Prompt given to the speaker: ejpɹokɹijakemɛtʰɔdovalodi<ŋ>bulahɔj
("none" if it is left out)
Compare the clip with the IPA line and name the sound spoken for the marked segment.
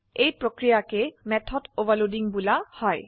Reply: ŋ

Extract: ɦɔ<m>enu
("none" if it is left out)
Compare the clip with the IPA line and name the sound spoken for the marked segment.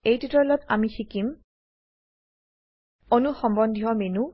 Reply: m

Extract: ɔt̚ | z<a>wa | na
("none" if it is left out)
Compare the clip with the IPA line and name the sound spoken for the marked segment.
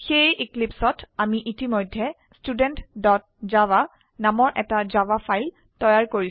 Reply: a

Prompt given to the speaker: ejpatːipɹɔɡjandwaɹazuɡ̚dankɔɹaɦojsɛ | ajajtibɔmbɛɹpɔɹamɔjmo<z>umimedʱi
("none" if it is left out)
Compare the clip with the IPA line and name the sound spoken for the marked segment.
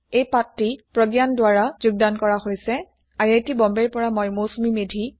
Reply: s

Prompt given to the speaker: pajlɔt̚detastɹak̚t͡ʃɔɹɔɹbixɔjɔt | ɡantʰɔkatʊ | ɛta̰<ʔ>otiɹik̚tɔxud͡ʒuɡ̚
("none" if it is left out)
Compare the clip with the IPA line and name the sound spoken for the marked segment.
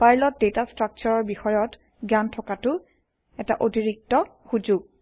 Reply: ʔ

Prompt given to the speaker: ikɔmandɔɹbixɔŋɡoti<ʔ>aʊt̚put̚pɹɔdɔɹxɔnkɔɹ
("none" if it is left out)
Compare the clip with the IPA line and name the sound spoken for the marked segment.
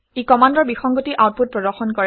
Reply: ʔ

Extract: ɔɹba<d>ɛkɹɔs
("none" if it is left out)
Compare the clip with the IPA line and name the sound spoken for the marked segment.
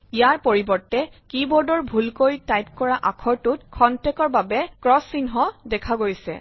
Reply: b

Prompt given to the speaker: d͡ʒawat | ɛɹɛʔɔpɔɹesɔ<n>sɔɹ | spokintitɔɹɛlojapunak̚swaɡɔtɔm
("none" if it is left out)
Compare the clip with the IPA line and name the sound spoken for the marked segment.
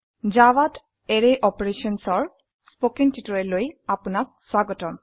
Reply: n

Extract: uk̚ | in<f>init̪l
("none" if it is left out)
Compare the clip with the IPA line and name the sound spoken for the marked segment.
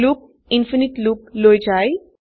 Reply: f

